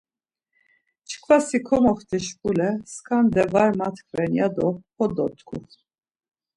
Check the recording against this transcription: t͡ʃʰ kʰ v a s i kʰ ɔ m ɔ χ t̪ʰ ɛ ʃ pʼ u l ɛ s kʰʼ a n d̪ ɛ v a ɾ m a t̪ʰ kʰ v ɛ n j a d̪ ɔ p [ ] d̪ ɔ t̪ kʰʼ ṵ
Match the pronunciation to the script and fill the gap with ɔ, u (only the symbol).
ɔ